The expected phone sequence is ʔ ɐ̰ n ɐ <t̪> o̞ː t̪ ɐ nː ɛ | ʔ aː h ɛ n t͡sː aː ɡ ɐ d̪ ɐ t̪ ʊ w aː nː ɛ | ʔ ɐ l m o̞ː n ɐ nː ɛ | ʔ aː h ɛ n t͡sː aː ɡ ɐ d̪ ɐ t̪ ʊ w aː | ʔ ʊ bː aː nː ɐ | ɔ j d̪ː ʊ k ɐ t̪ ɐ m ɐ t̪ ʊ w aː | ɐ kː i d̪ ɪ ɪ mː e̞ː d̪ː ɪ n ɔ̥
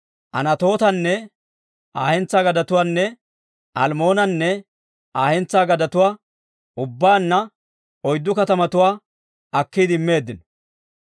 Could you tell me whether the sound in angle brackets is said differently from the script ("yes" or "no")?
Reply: no